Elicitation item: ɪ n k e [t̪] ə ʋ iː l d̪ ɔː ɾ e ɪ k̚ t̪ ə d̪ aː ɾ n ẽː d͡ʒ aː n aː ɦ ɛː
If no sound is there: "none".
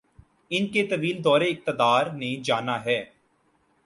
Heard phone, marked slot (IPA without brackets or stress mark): t̪